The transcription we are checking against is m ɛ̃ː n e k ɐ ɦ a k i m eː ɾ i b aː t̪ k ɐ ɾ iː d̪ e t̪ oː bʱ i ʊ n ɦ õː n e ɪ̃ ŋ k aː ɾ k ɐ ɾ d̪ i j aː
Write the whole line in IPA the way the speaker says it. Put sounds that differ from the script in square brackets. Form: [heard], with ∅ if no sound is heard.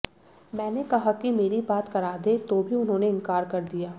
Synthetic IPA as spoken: m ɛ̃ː n e k ɐ ɦ a k i m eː ɾ i b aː t̪ k ɐ ɾ [aː] d̪ e t̪ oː bʱ i ʊ n ɦ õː n e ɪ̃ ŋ k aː ɾ k ɐ ɾ d̪ i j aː